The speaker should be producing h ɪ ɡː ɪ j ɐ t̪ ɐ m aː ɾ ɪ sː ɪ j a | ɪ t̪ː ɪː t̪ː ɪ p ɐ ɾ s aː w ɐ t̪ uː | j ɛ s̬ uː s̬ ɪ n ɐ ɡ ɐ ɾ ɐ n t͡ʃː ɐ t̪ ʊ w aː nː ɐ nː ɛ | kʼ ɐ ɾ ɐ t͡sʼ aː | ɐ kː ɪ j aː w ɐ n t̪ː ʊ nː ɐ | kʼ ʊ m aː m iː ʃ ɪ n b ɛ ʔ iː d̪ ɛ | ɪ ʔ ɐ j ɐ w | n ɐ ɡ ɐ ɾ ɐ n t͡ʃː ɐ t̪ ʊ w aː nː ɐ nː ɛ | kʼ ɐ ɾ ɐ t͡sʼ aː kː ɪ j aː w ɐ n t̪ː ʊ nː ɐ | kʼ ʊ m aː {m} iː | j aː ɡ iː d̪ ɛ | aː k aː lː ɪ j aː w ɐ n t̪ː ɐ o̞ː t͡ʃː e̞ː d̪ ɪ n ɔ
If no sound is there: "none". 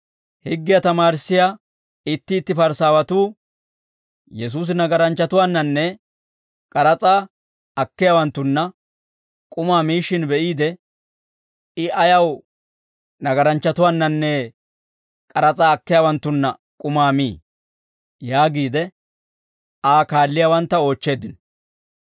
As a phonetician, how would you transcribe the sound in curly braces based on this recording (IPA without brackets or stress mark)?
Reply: m